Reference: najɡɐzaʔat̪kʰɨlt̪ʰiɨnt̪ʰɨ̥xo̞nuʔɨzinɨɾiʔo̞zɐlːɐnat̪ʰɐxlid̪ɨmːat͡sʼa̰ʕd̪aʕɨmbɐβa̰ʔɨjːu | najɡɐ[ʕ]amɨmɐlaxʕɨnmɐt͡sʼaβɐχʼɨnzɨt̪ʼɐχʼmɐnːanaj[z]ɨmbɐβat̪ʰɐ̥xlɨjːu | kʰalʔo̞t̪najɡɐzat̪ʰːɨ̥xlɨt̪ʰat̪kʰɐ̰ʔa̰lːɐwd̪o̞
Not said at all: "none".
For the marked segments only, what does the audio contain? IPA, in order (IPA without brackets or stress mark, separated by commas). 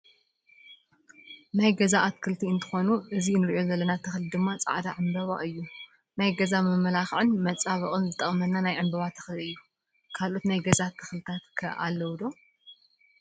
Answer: z, ʕ